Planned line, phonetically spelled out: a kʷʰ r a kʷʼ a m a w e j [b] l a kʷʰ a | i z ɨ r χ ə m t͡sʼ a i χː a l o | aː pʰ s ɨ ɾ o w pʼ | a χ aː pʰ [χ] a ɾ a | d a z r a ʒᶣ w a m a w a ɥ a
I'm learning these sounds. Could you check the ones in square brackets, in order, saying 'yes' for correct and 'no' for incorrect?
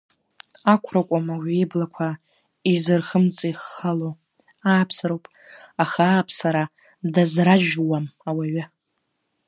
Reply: yes, no

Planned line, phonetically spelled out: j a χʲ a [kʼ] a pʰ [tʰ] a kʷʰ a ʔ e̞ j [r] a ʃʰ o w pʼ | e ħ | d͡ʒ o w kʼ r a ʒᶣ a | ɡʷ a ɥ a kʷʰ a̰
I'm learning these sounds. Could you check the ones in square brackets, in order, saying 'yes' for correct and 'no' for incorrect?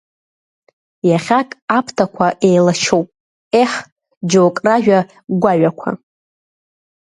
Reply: yes, yes, no

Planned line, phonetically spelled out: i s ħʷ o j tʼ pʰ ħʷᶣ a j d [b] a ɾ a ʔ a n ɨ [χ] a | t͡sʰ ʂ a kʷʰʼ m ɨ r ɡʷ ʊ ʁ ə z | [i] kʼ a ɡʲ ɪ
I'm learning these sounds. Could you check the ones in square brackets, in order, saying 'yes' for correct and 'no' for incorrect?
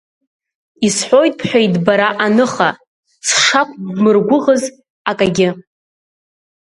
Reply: yes, yes, no

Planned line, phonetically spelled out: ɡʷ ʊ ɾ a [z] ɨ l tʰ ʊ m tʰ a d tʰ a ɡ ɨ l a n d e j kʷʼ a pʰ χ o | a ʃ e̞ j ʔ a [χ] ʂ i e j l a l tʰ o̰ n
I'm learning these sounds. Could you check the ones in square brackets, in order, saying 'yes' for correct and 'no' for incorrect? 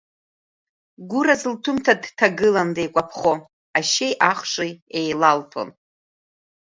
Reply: yes, yes

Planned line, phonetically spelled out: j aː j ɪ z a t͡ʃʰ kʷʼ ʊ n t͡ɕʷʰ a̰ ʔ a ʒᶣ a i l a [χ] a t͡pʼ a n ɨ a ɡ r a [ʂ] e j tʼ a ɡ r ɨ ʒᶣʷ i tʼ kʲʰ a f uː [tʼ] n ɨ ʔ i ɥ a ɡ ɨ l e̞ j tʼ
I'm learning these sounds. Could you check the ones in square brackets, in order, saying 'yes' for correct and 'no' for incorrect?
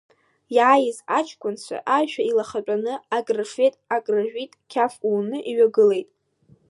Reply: yes, yes, no

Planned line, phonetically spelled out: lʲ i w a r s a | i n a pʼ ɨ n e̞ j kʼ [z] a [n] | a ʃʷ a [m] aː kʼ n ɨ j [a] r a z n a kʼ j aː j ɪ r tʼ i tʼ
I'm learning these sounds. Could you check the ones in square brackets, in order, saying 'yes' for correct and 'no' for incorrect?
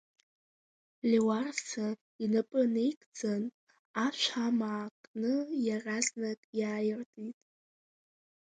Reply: no, yes, yes, yes

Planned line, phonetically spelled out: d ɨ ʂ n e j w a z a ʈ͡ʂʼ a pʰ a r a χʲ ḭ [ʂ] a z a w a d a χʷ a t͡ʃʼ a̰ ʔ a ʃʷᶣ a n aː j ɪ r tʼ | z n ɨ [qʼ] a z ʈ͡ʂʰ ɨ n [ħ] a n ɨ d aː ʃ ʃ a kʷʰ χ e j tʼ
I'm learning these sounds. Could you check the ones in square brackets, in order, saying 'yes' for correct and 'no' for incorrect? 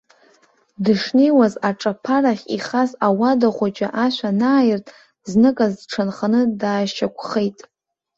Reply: no, no, no

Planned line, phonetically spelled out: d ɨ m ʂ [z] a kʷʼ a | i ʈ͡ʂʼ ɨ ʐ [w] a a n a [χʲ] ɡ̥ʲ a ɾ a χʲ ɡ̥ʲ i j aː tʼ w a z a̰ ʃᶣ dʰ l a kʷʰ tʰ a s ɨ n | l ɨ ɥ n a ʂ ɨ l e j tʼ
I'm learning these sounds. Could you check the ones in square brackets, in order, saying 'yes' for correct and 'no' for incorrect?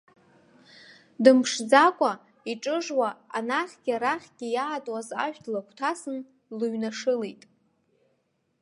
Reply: no, yes, yes

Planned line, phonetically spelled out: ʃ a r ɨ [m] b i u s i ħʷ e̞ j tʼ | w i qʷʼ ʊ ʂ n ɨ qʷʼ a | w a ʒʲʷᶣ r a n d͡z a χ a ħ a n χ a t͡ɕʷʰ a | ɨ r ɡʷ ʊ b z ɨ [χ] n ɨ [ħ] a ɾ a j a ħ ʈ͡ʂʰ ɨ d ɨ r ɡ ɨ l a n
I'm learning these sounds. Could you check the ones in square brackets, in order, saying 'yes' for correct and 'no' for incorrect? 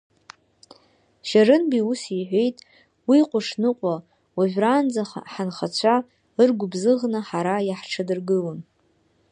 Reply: no, no, yes

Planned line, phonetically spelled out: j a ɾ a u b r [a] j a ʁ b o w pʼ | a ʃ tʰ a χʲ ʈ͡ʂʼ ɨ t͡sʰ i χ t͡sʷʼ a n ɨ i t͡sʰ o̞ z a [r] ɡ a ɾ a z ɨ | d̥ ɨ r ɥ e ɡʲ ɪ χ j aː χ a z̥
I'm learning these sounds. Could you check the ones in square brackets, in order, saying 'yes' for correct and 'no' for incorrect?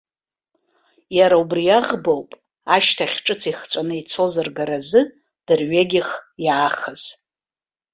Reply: no, yes

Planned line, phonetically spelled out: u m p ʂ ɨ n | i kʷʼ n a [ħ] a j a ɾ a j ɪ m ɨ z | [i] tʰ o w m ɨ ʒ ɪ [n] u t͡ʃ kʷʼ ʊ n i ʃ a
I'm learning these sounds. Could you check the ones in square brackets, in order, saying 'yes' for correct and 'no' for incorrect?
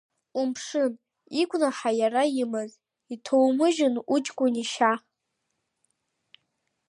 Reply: yes, yes, yes

